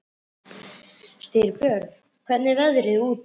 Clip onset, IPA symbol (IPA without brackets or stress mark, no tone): s